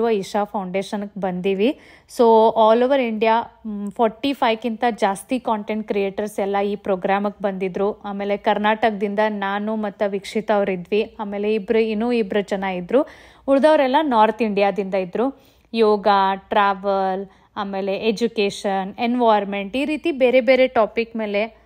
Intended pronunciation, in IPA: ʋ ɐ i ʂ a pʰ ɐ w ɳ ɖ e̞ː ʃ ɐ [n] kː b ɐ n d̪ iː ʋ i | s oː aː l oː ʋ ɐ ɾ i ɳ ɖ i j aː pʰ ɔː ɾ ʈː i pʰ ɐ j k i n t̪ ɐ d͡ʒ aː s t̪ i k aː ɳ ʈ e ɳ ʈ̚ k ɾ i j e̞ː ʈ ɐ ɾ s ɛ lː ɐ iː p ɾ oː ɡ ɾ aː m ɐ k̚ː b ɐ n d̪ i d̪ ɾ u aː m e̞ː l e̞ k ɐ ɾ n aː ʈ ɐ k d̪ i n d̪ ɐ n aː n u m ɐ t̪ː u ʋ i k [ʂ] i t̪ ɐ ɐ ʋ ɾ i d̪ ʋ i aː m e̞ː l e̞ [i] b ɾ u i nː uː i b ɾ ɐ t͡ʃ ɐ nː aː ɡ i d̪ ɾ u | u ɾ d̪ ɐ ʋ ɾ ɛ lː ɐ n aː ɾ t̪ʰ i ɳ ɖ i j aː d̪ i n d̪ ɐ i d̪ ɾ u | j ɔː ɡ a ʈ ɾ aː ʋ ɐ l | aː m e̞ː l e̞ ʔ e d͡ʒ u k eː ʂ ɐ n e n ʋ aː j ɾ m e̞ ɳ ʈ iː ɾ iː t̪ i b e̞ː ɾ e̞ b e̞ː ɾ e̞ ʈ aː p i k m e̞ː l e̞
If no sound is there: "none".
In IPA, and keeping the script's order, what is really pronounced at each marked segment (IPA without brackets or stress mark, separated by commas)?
n, ʂ, i